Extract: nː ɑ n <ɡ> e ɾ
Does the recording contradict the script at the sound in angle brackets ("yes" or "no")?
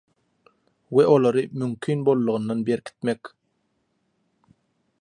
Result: yes